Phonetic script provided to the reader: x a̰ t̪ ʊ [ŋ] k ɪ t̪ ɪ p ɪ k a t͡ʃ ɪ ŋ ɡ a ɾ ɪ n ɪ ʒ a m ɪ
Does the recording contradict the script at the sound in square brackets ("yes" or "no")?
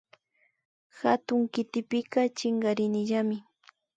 no